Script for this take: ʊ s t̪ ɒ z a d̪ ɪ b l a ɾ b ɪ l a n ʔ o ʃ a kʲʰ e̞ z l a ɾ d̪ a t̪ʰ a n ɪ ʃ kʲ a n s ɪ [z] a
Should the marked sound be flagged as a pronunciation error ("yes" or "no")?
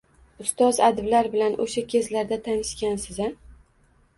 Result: no